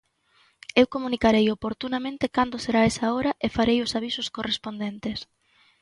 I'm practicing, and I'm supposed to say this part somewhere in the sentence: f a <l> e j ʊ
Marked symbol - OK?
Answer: no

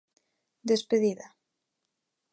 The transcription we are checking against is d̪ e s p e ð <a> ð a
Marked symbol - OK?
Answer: no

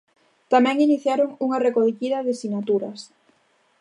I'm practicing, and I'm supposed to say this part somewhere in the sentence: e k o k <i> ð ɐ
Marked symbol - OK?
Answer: yes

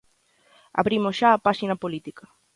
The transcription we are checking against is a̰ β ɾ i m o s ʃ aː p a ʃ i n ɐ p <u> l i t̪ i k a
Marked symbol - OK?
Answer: no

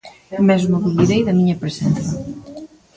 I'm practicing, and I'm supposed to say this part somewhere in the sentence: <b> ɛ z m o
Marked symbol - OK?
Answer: no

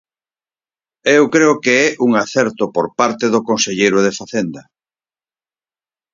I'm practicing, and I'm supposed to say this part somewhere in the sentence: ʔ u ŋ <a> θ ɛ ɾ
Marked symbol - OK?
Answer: yes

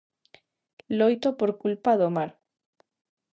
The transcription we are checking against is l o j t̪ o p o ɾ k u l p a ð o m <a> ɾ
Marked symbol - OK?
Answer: yes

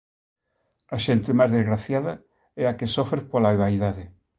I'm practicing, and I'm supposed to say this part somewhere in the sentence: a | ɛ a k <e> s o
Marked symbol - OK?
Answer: yes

